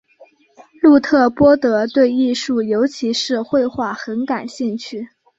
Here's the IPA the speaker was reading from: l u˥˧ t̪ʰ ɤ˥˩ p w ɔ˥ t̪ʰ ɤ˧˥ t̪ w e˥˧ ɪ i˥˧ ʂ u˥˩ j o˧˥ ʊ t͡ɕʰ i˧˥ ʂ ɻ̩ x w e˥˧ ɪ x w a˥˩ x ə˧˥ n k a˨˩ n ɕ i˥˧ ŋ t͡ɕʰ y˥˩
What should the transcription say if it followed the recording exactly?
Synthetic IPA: l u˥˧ t̪ʰ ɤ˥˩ p w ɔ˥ t̪ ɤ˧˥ t̪ w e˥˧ ɪ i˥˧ ʂ u˥˩ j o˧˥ ʊ t͡ɕʰ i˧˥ ʂ ɻ̩ x w e˥˧ ɪ x w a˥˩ x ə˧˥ n k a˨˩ n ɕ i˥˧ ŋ t͡ɕʰ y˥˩